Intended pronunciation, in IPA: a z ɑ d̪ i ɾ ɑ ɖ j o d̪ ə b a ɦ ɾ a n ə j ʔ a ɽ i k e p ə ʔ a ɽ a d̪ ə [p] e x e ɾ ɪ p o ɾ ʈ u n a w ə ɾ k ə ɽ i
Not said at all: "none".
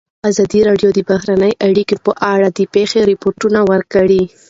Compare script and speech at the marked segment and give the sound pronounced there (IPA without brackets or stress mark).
p